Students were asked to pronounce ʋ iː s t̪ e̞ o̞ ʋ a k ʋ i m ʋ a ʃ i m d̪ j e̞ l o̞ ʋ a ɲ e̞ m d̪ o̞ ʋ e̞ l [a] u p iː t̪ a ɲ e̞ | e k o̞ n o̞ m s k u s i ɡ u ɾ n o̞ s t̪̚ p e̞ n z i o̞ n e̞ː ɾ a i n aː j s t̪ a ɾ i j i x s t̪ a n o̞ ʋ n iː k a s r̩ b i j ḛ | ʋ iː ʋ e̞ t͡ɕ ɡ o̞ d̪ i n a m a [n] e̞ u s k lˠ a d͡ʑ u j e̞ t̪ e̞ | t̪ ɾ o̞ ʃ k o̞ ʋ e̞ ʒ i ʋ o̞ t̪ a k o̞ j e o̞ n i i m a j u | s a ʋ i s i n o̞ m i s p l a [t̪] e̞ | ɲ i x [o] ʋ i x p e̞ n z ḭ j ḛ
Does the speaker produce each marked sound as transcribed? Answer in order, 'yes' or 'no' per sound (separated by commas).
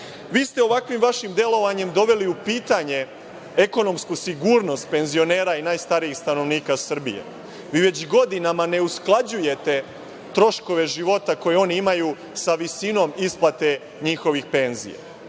no, yes, yes, yes